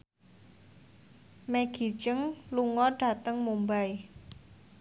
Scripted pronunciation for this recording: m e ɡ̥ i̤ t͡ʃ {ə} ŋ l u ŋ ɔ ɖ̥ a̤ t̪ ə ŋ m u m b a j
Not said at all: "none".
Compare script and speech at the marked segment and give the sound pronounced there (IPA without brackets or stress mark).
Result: ə